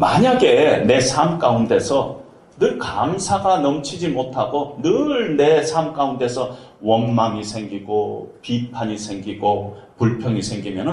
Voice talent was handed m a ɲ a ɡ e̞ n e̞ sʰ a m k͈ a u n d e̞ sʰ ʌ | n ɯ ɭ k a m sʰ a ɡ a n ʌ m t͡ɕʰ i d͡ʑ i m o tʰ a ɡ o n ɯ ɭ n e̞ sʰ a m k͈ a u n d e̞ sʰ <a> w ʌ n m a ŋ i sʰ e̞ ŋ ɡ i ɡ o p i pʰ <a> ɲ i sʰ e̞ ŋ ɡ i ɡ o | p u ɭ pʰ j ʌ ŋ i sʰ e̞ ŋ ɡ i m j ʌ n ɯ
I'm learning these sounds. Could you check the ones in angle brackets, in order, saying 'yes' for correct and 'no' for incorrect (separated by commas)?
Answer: no, yes